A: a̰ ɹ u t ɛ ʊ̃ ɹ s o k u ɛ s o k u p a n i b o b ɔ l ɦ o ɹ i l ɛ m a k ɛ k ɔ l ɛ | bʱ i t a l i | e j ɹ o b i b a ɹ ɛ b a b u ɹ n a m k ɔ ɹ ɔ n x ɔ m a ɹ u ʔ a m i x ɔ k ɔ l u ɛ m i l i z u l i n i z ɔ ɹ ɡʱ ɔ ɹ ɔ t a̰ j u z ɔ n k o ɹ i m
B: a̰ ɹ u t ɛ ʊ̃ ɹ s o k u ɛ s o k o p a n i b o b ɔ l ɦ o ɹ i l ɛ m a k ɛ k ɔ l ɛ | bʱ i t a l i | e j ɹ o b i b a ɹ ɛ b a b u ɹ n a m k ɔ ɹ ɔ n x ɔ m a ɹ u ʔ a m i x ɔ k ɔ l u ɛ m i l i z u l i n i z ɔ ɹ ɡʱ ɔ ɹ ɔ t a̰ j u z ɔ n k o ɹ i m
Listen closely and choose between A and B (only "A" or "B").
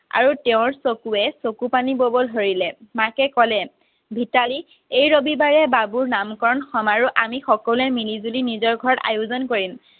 A